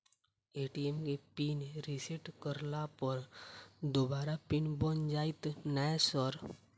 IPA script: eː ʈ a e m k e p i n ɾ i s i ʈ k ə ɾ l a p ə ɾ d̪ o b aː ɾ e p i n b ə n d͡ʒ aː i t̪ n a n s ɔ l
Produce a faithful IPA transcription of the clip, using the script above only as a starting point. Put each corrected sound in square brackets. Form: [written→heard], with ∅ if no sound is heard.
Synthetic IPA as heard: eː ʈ [a→i] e m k e p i n ɾ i s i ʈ k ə ɾ l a p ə ɾ d̪ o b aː ɾ [e→a] p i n b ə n d͡ʒ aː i t̪ n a [n→∅] s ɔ [l→ɾ]